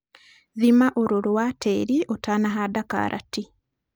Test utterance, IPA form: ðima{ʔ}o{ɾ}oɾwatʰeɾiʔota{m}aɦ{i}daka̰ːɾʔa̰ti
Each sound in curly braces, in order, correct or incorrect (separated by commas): correct, correct, incorrect, incorrect